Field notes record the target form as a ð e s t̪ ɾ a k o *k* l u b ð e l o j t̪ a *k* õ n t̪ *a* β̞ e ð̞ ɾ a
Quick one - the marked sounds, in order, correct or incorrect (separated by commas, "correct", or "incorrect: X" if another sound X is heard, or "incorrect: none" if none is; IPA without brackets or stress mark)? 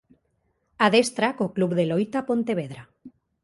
correct, incorrect: p, incorrect: e